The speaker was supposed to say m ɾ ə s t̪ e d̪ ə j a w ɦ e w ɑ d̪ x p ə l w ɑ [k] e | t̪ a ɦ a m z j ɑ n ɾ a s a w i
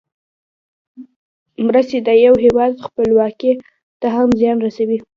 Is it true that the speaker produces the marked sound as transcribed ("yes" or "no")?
yes